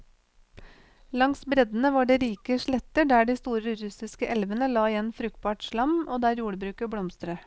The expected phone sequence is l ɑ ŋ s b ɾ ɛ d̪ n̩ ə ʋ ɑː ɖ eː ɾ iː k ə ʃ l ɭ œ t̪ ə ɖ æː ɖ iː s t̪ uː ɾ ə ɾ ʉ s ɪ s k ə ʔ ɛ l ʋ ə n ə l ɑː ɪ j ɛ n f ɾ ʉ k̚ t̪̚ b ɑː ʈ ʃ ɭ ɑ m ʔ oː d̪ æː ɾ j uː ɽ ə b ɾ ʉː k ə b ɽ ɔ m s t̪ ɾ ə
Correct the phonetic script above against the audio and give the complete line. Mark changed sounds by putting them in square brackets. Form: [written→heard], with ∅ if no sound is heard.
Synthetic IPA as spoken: l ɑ ŋ s b ɾ ɛ d̪ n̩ ə ʋ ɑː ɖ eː ɾ iː k ə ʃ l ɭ [œ→ɛ] t̪ ə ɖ æː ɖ iː s t̪ uː ɾ ə ɾ ʉ s ɪ s k ə ʔ ɛ l ʋ ə n ə l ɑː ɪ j ɛ n f ɾ ʉ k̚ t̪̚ b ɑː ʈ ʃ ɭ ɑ m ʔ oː d̪ æː ɾ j uː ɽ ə b ɾ ʉː k ə b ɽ ɔ m s t̪ ɾ ə

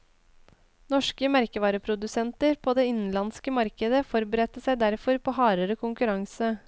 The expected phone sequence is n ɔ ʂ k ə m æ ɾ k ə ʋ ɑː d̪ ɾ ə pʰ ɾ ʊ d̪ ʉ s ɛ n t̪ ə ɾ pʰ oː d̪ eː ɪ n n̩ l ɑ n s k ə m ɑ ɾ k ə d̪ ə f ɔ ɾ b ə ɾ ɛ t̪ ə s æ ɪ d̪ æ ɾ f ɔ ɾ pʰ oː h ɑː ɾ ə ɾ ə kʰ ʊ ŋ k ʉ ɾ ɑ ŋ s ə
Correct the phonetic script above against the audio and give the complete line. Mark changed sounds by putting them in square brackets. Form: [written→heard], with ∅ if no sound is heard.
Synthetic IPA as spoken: n ɔ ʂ k ə m æ ɾ k ə ʋ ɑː [d̪→∅] ɾ ə pʰ ɾ ʊ d̪ ʉ s ɛ n t̪ ə ɾ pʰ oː d̪ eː ɪ n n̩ l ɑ n s k ə m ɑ ɾ k ə d̪ ə f ɔ ɾ b ə ɾ ɛ t̪ ə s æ ɪ d̪ æ ɾ f ɔ ɾ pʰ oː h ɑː ɾ ə ɾ ə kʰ ʊ ŋ k ʉ ɾ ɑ ŋ s ə

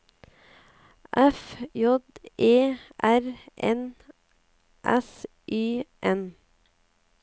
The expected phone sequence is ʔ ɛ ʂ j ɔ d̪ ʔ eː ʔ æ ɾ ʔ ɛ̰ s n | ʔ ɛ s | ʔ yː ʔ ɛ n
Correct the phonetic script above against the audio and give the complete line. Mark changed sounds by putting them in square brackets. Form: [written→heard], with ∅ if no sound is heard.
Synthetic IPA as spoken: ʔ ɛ [ʂ→f] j ɔ d̪ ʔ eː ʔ æ ɾ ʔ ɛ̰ [s→∅] n | ʔ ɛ s | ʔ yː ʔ ɛ n

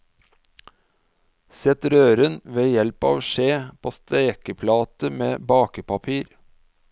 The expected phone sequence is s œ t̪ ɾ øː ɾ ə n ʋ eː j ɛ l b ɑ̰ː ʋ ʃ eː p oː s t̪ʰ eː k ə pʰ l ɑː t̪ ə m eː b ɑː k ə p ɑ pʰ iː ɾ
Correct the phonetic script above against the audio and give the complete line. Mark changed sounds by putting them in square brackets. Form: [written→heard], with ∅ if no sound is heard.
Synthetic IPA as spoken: s [œ→ɛ] t̪ ɾ øː ɾ ə n ʋ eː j ɛ l [b→p] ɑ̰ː ʋ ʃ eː [p→pʰ] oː s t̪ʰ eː k ə pʰ l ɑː t̪ ə m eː b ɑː k ə p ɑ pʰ iː ɾ

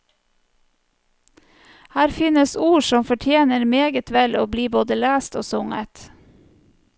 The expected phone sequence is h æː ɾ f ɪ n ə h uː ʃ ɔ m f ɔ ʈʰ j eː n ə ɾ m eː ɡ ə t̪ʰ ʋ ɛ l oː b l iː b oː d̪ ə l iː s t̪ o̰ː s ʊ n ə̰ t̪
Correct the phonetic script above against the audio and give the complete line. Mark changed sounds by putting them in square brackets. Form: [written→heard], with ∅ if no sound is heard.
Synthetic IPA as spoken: h æː ɾ f ɪ n ə [h→s] uː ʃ ɔ m f ɔ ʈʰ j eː n ə ɾ m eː ɡ ə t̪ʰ ʋ ɛ l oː b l iː b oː d̪ ə l [iː→æː] s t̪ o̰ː s ʊ [n→ŋ] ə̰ t̪

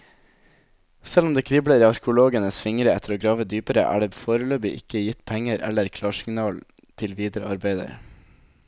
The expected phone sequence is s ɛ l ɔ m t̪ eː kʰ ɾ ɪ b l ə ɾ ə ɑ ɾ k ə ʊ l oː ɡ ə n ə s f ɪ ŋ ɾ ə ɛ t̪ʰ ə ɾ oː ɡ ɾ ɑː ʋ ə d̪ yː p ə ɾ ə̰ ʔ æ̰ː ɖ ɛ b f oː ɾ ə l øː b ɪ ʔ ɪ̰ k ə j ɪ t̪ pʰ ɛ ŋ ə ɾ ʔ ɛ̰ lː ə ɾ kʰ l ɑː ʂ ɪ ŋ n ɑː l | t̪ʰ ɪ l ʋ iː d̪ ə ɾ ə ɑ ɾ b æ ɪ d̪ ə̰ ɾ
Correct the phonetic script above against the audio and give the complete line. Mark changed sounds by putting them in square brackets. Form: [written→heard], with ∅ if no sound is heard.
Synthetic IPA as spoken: s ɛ l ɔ m [t̪→d̪] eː kʰ ɾ ɪ b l ə ɾ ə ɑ ɾ k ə ʊ l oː ɡ ə n ə s f ɪ ŋ ɾ ə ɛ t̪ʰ ə ɾ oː ɡ ɾ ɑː ʋ ə d̪ yː p ə ɾ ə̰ ʔ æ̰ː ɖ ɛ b f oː ɾ ə l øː b ɪ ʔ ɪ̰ k ə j ɪ t̪ pʰ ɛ ŋ ə ɾ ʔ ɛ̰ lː ə ɾ kʰ l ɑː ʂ ɪ ŋ n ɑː l | t̪ʰ ɪ l ʋ iː d̪ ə ɾ ə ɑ ɾ b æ ɪ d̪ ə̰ ɾ

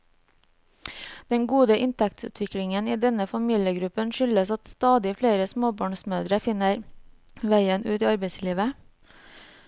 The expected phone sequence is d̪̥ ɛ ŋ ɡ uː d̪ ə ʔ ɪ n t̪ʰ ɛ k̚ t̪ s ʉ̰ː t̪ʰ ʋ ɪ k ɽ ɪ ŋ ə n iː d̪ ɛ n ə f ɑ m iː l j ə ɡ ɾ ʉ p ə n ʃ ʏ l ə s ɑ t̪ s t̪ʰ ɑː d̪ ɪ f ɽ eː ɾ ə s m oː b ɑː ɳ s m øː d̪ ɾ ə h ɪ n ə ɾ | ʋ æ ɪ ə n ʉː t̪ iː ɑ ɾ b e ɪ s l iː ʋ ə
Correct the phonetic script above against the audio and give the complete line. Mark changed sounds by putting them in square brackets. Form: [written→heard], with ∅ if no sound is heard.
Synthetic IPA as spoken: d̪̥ ɛ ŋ ɡ uː d̪ ə ʔ ɪ n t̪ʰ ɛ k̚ t̪ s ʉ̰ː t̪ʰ ʋ ɪ k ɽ ɪ ŋ ə n iː d̪ ɛ n ə f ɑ m iː l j ə ɡ ɾ ʉ p ə n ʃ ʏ l ə s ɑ t̪ s [t̪ʰ→t̪] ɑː d̪ ɪ f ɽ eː ɾ ə s m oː b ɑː ɳ s m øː d̪ ɾ ə [h→f] ɪ n ə ɾ | ʋ æ ɪ ə n ʉː t̪ iː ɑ ɾ b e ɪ s l iː ʋ ə

